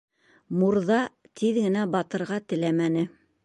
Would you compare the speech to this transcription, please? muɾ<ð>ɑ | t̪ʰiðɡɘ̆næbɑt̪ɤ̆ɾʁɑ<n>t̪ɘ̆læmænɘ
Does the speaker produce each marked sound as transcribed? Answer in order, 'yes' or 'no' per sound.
yes, no

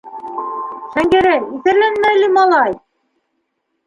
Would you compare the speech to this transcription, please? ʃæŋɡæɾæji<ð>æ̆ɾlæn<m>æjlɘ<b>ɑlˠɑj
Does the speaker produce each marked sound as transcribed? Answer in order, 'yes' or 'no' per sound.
no, yes, no

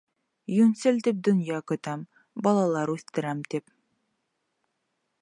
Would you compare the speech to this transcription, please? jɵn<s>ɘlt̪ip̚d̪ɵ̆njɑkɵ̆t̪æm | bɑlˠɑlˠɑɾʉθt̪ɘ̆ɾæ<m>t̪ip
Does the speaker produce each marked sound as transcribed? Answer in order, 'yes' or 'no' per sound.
yes, yes

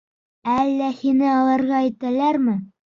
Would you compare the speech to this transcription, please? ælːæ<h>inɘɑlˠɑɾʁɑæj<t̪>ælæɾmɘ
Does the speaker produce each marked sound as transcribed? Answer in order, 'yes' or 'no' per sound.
yes, yes

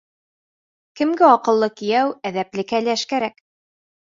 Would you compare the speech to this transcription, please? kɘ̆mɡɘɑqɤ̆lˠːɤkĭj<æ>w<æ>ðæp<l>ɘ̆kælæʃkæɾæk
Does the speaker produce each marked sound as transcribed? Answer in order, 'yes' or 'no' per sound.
yes, yes, yes

